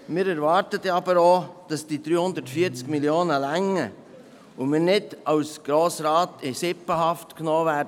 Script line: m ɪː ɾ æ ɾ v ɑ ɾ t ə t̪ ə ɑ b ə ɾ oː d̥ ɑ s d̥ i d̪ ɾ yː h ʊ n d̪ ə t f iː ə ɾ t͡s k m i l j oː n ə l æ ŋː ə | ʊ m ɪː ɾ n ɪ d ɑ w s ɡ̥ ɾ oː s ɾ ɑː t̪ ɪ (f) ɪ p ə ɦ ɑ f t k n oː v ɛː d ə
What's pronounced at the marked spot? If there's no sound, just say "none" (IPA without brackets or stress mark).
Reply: s